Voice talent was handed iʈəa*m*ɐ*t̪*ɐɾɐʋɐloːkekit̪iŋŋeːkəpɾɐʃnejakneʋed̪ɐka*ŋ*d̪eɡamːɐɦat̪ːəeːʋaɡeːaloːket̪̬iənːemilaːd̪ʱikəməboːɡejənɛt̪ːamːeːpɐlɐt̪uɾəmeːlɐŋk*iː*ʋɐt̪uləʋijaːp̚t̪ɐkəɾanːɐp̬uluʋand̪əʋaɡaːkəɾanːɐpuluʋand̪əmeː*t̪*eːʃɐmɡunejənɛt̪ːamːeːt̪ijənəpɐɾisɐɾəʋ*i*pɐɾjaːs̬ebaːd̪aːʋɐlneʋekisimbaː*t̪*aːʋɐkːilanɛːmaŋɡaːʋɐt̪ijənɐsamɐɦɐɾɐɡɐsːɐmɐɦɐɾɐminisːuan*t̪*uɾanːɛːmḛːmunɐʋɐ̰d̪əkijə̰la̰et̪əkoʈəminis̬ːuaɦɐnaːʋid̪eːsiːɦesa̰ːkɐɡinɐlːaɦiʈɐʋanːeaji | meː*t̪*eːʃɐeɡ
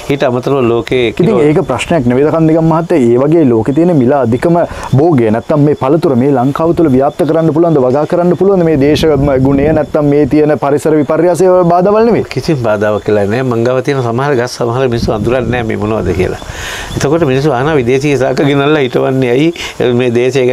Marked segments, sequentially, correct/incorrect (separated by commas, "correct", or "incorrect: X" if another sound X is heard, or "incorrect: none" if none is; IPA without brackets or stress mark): correct, correct, incorrect: n, incorrect: aː, incorrect: d̪, correct, incorrect: d̪, incorrect: d̪, incorrect: d̪